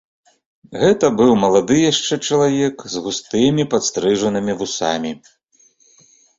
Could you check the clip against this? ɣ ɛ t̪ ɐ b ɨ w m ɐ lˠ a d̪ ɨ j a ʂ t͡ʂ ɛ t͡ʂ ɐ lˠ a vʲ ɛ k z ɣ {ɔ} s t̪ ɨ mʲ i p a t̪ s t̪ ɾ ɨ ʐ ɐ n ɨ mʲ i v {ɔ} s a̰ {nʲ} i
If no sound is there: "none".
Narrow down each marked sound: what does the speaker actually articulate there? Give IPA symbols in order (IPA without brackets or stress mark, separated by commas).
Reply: u, u, mʲ